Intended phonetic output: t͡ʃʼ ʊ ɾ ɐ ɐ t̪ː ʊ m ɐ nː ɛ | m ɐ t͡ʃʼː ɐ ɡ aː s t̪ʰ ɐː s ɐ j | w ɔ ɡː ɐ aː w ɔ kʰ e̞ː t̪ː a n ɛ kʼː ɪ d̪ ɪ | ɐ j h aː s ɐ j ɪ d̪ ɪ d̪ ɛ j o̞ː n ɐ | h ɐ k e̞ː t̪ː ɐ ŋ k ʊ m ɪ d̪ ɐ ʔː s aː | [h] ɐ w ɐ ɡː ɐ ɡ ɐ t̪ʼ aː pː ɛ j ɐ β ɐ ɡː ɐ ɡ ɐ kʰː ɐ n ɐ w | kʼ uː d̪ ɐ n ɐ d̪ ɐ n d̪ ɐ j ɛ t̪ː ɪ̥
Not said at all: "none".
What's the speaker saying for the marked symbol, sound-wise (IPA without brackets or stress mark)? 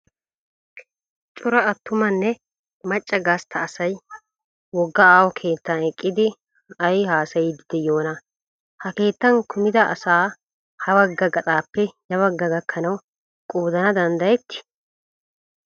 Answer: h